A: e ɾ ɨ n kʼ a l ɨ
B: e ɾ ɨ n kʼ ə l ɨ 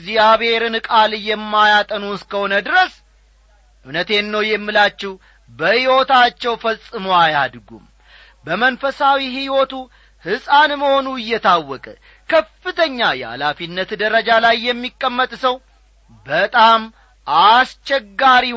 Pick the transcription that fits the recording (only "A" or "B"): A